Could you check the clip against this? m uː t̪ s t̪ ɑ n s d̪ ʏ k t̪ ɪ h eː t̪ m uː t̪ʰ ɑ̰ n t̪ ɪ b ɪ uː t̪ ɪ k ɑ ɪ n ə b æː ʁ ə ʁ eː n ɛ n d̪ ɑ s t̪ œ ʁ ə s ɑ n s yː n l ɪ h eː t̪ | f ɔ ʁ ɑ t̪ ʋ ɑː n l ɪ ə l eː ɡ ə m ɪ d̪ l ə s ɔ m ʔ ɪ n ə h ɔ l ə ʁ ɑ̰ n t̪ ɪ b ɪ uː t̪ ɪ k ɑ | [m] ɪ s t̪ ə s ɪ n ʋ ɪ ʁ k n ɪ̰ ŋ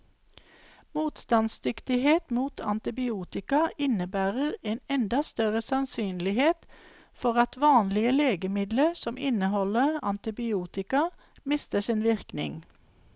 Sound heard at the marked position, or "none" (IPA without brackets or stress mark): m